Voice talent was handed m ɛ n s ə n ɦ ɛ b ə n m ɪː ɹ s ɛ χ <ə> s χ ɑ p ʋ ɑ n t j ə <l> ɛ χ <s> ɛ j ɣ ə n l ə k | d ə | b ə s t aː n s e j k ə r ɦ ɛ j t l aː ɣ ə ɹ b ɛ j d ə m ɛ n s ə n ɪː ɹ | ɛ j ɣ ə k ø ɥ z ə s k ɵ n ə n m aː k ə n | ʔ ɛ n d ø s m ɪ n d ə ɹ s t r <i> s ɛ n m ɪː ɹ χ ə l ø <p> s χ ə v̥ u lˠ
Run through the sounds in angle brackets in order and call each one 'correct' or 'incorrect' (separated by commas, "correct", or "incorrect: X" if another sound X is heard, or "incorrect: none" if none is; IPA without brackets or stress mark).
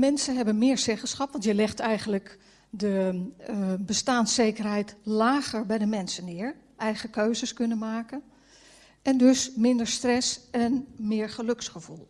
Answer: correct, correct, incorrect: t, incorrect: ɛ, incorrect: k